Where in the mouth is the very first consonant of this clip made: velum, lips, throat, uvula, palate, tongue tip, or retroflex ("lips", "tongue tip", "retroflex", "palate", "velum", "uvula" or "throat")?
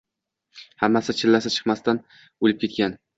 throat